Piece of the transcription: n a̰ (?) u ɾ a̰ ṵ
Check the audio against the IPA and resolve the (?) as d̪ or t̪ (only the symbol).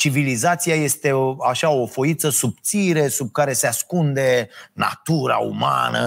t̪